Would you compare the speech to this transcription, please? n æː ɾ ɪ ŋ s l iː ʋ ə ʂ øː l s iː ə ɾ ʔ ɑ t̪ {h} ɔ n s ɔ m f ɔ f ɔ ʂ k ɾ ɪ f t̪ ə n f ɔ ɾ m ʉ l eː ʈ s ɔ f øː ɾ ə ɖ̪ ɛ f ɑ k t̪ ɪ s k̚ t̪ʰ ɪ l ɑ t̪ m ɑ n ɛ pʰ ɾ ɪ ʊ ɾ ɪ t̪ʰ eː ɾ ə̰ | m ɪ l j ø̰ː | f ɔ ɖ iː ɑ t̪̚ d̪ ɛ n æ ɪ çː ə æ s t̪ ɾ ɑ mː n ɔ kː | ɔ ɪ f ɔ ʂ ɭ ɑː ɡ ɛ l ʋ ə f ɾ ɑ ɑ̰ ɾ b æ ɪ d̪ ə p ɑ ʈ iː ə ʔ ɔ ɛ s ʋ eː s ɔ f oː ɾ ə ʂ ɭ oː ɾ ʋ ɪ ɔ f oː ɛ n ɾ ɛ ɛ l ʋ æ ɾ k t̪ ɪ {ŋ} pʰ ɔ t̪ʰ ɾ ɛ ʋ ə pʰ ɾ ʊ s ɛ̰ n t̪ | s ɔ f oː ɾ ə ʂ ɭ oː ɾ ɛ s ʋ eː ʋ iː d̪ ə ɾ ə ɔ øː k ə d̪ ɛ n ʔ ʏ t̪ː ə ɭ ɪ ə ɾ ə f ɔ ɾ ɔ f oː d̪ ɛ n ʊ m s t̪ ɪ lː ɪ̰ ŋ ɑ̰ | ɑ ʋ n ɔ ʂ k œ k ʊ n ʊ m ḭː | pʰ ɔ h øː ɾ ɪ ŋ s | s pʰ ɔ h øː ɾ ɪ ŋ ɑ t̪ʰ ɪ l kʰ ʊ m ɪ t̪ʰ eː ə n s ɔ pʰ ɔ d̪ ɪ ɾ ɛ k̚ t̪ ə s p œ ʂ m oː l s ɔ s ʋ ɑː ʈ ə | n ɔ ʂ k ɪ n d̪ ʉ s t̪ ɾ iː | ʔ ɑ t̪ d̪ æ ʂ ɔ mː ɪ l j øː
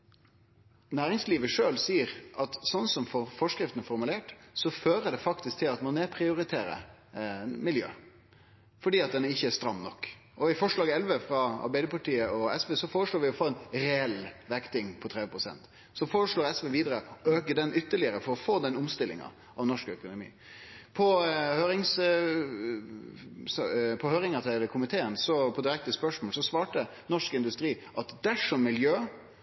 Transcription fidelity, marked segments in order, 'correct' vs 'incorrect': incorrect: s, correct

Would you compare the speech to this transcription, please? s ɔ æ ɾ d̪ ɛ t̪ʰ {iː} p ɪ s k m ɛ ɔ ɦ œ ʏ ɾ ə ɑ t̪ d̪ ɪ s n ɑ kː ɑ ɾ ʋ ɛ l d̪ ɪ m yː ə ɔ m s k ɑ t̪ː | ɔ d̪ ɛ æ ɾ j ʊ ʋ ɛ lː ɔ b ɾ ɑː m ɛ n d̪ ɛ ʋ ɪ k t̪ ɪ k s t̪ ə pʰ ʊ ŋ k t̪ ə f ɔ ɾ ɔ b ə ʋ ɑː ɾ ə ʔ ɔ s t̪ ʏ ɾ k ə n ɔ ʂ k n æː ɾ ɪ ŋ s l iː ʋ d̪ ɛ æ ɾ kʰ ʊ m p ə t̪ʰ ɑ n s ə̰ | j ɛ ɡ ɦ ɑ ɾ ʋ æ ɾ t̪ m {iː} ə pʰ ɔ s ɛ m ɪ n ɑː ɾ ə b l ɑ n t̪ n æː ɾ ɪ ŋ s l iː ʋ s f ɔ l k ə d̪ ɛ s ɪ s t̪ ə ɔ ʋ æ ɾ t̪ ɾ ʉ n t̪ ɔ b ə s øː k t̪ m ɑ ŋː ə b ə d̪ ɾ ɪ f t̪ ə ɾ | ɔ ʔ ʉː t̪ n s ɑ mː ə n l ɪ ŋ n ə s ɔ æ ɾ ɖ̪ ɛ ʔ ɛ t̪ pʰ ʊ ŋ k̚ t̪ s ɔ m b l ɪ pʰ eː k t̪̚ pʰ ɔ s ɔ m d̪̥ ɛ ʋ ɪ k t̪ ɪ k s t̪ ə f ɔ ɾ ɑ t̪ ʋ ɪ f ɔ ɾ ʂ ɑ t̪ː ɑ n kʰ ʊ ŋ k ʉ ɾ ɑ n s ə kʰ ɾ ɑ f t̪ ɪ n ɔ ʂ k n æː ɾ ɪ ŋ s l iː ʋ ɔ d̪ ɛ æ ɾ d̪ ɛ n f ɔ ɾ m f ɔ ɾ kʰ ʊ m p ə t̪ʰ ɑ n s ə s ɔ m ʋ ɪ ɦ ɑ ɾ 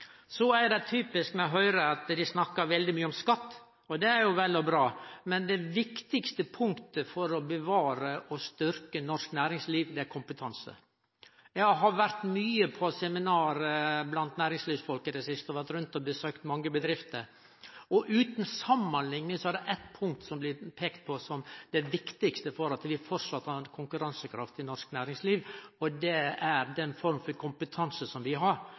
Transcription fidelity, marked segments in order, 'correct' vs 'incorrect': incorrect: yː, incorrect: yː

